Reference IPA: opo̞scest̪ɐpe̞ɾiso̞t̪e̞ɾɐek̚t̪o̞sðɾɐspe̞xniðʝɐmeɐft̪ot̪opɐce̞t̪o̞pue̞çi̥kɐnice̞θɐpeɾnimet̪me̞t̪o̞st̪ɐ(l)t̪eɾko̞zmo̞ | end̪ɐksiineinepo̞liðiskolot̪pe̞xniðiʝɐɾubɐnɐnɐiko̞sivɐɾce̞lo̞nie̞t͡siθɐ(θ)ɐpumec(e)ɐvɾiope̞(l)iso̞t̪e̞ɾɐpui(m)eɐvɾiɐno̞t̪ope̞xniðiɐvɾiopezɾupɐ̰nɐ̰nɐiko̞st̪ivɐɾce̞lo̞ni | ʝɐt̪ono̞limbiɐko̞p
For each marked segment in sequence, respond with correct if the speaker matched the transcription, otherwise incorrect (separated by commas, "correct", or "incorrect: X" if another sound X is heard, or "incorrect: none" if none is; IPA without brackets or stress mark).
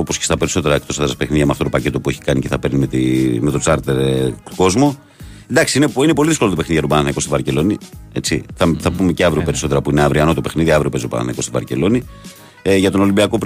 incorrect: ɾ, correct, correct, incorrect: ɾ, incorrect: n